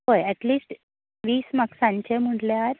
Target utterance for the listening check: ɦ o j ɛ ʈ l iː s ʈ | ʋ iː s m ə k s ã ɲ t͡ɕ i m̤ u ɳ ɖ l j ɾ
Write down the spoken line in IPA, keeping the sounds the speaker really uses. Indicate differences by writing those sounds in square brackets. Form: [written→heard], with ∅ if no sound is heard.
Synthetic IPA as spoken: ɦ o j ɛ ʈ l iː s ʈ | ʋ iː s m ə k s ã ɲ t͡ɕ [i→e] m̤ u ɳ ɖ l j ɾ

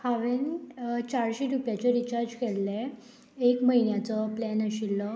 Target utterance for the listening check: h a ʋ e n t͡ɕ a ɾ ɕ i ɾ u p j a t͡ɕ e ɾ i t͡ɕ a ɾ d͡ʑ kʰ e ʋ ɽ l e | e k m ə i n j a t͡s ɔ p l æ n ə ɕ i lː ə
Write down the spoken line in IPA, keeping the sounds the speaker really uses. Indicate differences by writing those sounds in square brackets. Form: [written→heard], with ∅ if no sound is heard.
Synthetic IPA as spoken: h a ʋ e n t͡ɕ a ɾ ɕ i ɾ u p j a t͡ɕ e ɾ i t͡ɕ a ɾ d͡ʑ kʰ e [ʋ→∅] ɽ l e | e k m ə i n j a t͡s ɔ p l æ n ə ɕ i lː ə

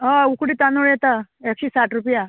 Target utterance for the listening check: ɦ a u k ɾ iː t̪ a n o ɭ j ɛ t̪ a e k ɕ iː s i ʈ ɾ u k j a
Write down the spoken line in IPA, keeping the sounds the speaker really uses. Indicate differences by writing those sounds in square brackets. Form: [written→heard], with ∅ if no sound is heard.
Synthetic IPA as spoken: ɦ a u k [ɾ→ɽ] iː t̪ a n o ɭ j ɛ t̪ a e k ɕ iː s [i→a] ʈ ɾ u [k→p] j a

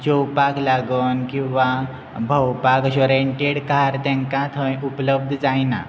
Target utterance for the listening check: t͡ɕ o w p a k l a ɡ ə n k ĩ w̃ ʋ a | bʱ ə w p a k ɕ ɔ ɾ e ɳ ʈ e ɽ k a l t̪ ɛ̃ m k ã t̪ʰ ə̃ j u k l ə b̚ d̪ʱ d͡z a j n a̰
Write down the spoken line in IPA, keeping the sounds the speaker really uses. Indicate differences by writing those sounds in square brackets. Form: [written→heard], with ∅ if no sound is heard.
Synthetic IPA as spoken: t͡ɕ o w p a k l a ɡ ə n k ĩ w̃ ʋ a | bʱ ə w p a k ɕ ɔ ɾ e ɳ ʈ e ɽ k a [l→ɾ] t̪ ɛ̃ [m→ŋ] k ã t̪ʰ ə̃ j u [k→p] l ə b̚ d̪ʱ d͡z a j n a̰

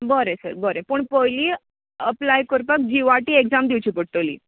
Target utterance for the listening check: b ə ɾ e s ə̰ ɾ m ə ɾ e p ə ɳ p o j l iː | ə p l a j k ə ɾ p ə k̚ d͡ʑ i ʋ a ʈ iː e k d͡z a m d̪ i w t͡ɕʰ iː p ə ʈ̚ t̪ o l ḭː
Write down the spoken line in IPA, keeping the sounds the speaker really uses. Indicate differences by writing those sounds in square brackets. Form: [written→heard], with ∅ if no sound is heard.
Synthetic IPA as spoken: b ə ɾ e s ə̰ ɾ [m→b] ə ɾ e p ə ɳ p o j l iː | ə p l a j k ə ɾ p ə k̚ d͡ʑ i ʋ a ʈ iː e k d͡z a m d̪ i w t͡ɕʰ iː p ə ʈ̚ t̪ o l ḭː

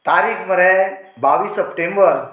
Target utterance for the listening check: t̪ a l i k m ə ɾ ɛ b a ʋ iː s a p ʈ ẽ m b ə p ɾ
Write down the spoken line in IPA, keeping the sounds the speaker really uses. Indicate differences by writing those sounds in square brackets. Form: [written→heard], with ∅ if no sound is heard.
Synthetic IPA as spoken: t̪ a [l→ɾ] i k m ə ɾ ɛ b a ʋ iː s [a→ə] p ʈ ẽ m b ə [p→∅] ɾ

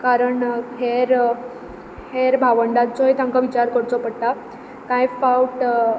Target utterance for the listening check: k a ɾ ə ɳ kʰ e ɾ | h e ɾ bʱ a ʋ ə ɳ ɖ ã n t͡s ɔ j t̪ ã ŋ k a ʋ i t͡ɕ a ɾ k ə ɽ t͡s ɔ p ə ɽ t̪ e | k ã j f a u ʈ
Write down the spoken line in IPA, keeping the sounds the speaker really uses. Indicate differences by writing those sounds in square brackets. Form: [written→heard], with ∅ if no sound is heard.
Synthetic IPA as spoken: k a ɾ ə ɳ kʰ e ɾ | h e ɾ bʱ a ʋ ə ɳ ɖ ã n t͡s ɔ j t̪ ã ŋ k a ʋ i t͡ɕ a ɾ k ə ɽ t͡s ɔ p ə ɽ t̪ [e→a] | k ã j f a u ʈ

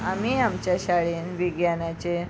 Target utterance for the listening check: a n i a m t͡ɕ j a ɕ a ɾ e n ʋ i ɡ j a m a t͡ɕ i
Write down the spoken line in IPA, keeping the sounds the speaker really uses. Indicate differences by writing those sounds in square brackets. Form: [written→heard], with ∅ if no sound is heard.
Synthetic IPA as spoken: a [n→m] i a m t͡ɕ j a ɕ a [ɾ→ɭ] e n ʋ i ɡ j a [m→n] a t͡ɕ [i→e]

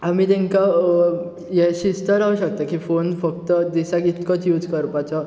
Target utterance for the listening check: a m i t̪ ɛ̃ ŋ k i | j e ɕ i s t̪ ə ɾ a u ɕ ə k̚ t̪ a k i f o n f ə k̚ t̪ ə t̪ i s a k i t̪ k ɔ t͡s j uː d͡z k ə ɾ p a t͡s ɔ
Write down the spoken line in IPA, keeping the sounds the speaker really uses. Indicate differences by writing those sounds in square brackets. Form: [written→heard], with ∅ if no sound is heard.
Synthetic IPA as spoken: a m i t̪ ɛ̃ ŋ k [i→a] | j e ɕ i s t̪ ə ɾ a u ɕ ə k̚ t̪ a k i f o n f ə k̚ t̪ ə [t̪→d̪] i s a k i t̪ k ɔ t͡s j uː d͡z k ə ɾ p a t͡s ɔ

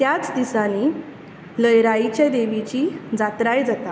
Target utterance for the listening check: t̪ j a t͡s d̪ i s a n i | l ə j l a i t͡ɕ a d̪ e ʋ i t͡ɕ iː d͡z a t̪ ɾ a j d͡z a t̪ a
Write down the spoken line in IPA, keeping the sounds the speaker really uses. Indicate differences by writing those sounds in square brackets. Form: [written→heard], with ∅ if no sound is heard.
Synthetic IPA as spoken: t̪ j a t͡s d̪ i s a n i | l ə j [l→ɾ] a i t͡ɕ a d̪ e ʋ i t͡ɕ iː d͡z a t̪ ɾ a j d͡z a t̪ a

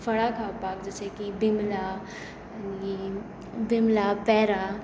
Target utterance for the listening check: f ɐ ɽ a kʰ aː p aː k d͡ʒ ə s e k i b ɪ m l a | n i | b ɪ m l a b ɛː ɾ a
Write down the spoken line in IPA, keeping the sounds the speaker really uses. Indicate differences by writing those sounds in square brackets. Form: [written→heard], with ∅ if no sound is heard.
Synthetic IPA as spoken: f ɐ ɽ a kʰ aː p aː k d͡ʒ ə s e k i b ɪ m l a | n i | b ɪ m l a [b→p] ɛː ɾ a

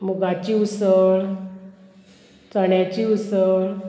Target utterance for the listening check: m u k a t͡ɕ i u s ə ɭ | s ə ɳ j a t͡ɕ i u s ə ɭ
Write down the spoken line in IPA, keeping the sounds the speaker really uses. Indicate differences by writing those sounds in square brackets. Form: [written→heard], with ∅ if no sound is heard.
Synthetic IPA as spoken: m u [k→ɡ] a t͡ɕ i u s ə ɭ | [s→t͡s] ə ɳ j a t͡ɕ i u s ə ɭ

